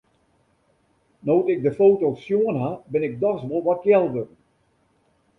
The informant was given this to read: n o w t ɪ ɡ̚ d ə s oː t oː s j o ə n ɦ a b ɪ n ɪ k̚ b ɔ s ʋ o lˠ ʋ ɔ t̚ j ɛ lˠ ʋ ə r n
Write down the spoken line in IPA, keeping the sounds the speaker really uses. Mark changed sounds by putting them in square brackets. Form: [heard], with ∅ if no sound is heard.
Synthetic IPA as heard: n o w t ɪ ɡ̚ d ə [f] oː t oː s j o ə n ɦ a b ɪ n ɪ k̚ [d] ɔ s ʋ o lˠ ʋ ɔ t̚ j ɛ lˠ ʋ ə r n